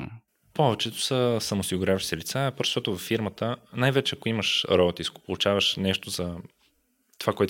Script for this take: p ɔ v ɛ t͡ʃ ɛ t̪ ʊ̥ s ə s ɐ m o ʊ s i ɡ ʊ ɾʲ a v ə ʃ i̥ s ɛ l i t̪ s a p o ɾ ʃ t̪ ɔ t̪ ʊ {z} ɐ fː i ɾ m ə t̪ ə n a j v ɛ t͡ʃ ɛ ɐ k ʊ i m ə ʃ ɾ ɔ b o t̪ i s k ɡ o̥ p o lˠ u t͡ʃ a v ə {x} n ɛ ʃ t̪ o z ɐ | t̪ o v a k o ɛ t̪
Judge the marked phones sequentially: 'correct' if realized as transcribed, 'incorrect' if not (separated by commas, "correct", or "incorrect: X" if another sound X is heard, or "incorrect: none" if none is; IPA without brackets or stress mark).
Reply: incorrect: v, incorrect: ʃ